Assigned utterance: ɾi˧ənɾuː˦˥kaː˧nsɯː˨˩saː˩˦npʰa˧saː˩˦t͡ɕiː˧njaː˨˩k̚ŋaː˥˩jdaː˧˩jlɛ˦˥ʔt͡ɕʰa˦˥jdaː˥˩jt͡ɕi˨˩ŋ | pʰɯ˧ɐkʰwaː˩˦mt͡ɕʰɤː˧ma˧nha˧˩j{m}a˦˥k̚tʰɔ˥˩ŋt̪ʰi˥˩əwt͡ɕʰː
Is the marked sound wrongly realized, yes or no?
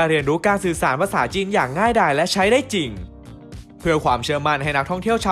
yes